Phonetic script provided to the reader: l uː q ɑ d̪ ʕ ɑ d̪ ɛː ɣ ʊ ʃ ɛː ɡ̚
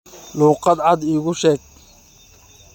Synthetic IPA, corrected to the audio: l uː q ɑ d̪ ʕ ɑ d̪ iː ɣ ʊ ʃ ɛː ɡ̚